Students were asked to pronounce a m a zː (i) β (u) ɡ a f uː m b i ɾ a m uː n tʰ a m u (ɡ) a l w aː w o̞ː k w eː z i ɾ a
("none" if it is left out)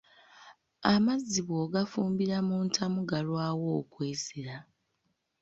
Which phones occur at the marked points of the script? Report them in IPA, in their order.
i, o, ɡ

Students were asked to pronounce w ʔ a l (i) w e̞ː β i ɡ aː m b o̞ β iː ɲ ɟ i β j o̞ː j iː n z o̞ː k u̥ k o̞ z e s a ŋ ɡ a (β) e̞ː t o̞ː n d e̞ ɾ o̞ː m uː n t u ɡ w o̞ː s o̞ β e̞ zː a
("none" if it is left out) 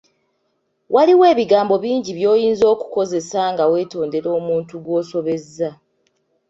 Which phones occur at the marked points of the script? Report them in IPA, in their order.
i, w

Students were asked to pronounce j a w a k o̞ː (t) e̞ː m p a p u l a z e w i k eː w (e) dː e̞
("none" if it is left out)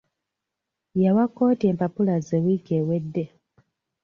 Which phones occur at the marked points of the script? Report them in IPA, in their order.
t, e

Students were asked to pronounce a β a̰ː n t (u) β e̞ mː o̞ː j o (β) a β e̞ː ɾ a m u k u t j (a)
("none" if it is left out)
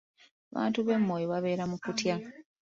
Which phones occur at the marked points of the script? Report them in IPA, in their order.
u, β, a

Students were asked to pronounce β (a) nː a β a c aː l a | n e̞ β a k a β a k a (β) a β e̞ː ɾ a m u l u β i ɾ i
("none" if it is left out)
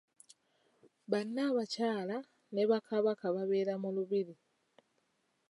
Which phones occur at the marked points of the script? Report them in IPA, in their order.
a, β

